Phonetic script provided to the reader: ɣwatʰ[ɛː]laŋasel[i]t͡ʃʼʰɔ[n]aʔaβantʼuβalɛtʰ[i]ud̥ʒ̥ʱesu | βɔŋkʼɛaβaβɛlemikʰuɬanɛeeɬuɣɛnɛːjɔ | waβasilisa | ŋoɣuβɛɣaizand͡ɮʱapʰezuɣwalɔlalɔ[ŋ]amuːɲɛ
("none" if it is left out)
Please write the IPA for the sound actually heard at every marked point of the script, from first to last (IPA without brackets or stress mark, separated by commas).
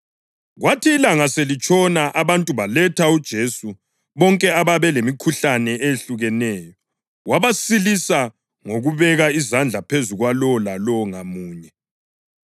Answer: iː, i, n, a, ŋ